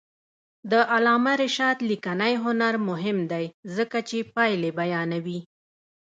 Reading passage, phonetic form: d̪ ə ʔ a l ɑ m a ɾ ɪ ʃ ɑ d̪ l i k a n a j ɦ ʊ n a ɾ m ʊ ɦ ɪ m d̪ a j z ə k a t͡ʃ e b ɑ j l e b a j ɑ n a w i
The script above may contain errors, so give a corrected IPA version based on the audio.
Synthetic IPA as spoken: d̪ ə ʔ a l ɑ m a ɾ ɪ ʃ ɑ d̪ l i k a n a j ɦ ʊ n a ɾ m ʊ ɦ ɪ m d̪ a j z ə k a t͡ʃ e p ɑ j l e b a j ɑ n a w i